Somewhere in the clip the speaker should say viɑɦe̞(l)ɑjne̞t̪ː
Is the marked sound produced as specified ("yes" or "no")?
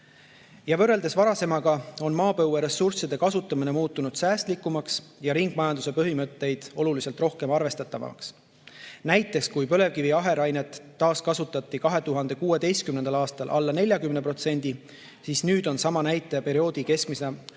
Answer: no